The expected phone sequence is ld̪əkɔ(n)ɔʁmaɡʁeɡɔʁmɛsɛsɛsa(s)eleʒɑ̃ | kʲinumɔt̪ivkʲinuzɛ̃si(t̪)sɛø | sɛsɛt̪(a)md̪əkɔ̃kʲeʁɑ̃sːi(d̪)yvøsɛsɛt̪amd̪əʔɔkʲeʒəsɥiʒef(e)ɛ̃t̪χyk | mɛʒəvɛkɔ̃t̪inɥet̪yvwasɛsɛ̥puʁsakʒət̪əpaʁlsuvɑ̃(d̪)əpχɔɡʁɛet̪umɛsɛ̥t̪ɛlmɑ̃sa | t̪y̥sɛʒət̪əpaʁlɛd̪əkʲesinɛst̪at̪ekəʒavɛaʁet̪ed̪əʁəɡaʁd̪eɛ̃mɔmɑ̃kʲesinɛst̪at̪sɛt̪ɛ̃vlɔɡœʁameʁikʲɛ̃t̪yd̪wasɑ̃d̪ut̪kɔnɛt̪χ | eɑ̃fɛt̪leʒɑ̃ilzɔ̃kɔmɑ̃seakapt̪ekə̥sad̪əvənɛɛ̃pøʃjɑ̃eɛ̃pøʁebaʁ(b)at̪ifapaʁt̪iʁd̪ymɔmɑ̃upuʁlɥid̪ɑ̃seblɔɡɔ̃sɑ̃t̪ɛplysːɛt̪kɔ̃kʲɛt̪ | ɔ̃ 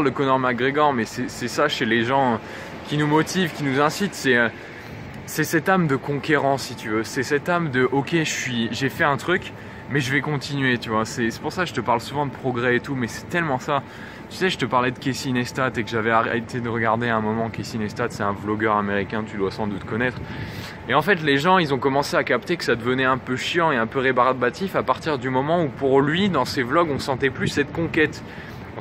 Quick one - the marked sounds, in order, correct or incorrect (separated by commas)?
correct, incorrect, correct, correct, incorrect, incorrect, correct, correct